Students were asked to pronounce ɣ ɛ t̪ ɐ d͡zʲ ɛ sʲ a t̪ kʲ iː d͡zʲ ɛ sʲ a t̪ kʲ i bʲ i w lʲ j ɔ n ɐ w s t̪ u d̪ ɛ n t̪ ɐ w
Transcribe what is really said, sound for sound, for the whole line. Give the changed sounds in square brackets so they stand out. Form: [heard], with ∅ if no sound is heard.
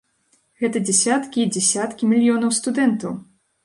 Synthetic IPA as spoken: ɣ ɛ t̪ ɐ d͡zʲ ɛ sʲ a t̪ kʲ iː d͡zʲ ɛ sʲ a t̪ kʲ i [mʲ] i [∅] lʲ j ɔ n ɐ w s t̪ u d̪ ɛ n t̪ ɐ w